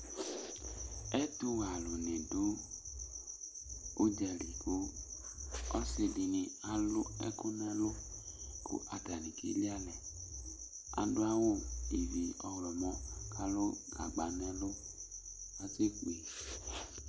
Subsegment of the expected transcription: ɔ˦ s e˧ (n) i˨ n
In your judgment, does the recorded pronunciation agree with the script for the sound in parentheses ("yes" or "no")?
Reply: no